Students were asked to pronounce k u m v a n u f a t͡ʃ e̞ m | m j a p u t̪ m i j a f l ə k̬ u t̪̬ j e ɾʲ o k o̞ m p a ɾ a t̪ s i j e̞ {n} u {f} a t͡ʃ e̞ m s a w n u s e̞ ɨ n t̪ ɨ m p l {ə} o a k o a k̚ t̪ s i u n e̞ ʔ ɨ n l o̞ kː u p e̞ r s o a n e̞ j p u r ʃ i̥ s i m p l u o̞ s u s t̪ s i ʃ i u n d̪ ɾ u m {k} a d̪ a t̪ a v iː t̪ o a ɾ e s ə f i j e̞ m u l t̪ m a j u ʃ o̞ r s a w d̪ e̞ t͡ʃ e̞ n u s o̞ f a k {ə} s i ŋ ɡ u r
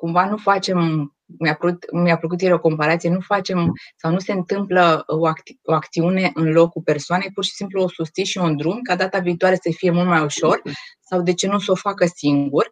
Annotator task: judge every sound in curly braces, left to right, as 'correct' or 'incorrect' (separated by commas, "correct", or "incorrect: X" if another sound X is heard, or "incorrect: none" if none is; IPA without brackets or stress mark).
correct, correct, correct, correct, correct